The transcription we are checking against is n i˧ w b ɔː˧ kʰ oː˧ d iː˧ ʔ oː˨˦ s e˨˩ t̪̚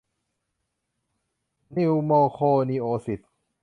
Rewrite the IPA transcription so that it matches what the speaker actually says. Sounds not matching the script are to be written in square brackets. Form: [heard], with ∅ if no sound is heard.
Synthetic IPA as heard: n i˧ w [m] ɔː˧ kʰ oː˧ [n] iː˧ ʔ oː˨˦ s [i˨˩] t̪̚